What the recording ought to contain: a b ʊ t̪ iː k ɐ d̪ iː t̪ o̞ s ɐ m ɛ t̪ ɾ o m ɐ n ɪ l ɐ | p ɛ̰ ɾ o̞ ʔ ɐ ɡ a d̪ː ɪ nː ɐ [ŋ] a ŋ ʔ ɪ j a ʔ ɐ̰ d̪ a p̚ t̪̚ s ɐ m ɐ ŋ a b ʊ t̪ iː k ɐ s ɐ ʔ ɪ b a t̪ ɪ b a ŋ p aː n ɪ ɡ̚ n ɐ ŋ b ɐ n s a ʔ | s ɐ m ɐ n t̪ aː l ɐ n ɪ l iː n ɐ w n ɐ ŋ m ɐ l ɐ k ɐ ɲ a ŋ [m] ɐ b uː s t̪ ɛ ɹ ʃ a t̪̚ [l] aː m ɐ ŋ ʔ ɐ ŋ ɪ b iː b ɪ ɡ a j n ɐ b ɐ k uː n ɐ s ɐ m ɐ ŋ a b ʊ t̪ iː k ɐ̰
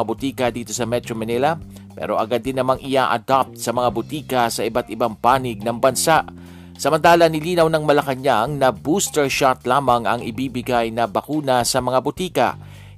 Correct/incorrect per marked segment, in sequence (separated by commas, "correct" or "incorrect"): incorrect, incorrect, correct